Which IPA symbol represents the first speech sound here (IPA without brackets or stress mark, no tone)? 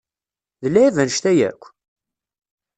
ð